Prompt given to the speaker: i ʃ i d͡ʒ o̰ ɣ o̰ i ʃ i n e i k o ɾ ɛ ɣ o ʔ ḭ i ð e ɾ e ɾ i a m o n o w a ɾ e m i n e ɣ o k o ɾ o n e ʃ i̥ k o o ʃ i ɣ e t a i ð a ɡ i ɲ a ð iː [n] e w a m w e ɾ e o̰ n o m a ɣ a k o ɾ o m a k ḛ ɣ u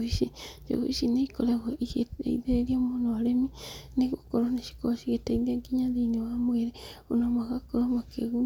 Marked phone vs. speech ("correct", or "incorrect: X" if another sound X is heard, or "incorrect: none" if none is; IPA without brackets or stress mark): correct